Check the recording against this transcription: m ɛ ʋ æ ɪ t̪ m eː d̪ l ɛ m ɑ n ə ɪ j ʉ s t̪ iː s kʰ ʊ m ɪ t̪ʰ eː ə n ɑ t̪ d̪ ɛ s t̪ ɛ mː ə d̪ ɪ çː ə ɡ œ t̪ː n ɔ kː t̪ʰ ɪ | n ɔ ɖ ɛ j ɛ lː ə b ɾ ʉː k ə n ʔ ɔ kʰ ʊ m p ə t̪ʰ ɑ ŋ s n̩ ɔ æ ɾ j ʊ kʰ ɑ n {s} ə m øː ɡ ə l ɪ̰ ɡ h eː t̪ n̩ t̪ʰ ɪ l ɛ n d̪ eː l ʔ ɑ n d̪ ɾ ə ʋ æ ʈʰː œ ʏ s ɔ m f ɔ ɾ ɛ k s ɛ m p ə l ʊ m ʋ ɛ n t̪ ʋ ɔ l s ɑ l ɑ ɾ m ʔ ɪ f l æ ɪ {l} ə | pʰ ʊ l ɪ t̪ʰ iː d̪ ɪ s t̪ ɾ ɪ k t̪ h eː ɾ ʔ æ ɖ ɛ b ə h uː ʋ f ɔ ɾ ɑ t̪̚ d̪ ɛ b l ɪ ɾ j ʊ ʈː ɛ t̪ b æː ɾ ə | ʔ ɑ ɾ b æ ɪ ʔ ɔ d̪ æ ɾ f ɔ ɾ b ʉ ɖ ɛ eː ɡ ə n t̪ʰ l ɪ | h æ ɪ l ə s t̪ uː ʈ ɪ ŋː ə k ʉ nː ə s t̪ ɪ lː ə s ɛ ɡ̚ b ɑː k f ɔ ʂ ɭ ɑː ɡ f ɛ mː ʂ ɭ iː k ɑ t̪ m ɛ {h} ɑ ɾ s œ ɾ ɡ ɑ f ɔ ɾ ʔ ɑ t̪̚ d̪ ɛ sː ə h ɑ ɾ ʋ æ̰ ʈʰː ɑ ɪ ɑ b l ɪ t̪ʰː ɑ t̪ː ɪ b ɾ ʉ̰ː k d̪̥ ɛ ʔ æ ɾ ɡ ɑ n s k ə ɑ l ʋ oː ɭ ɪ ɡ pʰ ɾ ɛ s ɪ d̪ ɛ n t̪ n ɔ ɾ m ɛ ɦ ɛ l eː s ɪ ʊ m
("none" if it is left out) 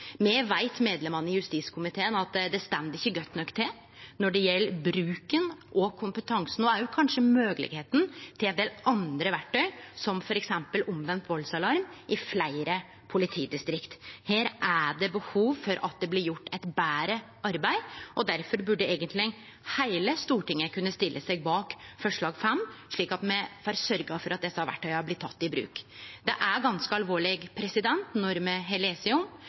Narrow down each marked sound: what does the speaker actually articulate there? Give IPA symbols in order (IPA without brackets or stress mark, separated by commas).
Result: ʂ, ɾ, f